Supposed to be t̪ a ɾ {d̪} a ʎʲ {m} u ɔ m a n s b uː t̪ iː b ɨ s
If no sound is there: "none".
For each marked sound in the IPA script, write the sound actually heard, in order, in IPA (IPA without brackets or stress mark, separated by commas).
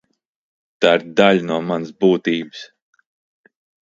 d̪, n